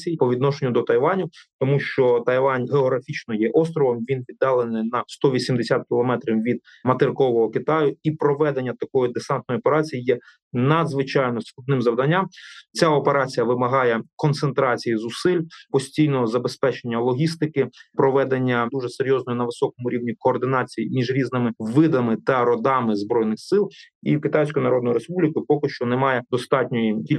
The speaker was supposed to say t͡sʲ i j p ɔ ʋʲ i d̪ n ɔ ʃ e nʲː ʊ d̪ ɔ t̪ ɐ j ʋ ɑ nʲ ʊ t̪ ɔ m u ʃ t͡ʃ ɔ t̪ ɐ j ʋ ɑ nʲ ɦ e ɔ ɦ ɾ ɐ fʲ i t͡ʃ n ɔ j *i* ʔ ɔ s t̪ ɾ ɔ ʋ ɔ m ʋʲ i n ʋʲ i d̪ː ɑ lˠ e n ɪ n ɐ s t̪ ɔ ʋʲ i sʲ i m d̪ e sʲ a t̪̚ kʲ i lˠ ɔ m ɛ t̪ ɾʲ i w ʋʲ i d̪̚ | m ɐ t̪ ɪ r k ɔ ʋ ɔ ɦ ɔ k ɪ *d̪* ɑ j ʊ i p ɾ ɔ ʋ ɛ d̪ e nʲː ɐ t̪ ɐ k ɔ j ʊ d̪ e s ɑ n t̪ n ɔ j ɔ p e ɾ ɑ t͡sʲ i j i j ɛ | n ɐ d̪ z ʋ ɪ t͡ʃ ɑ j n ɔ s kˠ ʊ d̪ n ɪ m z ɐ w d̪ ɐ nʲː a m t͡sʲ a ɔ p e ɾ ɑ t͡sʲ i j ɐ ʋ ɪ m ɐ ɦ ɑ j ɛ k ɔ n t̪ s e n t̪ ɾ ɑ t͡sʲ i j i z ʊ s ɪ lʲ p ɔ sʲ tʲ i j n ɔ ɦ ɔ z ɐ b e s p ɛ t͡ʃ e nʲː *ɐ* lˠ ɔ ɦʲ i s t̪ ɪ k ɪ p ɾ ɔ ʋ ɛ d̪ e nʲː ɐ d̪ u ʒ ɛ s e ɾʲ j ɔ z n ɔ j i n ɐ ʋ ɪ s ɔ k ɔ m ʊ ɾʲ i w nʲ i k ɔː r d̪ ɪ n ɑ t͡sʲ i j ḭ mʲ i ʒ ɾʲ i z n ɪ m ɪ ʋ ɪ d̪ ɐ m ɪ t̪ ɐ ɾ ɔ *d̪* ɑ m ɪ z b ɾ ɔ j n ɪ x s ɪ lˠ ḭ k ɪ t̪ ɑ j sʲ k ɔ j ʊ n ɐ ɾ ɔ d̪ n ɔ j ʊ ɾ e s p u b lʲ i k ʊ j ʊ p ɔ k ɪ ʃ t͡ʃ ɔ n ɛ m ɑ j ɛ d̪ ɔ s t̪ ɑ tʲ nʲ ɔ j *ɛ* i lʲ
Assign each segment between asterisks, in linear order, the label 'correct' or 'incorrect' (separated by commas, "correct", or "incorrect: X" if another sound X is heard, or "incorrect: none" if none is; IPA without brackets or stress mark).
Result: incorrect: ɛ, incorrect: t̪, correct, correct, incorrect: i